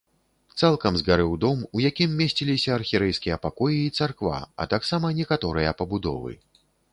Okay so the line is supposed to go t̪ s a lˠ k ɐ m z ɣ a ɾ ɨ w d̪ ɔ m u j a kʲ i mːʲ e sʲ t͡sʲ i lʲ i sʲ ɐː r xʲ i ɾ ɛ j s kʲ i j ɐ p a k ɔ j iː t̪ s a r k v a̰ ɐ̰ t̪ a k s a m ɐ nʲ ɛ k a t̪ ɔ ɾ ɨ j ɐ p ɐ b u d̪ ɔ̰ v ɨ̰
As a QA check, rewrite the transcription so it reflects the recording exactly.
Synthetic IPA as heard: t̪ s a lˠ k ɐ m z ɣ a ɾ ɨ w d̪ ɔ m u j a kʲ i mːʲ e sʲ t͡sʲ i lʲ i sʲ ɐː r xʲ i ɾ ɛ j s kʲ i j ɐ p a k ɔ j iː t̪ s a r k v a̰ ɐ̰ t̪ a k s a m ɐ nʲ ɛ k a t̪ ɔ ɾ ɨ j ɐ p ɐ b u d̪ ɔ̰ v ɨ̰